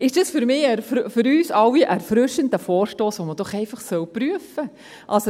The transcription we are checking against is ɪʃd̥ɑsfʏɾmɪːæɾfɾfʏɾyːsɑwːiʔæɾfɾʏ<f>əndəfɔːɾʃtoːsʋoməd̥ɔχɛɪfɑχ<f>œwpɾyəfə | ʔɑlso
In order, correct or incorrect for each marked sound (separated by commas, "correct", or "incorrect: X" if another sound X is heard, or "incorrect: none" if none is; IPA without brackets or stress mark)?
incorrect: ʃ, incorrect: s